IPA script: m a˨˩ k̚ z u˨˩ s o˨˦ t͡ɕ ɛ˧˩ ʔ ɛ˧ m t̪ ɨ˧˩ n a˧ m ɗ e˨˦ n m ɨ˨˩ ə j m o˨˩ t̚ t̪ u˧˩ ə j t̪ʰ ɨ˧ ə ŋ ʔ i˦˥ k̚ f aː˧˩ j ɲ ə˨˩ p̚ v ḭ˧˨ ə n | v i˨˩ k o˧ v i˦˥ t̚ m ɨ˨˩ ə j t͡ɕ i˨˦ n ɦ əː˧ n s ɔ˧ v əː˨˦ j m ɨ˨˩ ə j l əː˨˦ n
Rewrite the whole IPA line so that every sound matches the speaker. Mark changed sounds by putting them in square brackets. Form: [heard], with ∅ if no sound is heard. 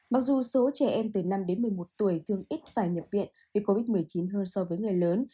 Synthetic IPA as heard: m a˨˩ k̚ z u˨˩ s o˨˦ t͡ɕ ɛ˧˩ ʔ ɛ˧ m t̪ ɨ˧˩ n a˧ m ɗ e˨˦ n m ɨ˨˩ ə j m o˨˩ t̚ t̪ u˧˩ ə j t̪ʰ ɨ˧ ə ŋ ʔ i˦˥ [t̚] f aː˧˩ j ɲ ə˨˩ p̚ v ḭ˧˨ ə n | v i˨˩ k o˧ v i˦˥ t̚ m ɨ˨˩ ə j t͡ɕ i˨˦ n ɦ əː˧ n s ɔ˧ v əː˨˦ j [ŋ] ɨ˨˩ ə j l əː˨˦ n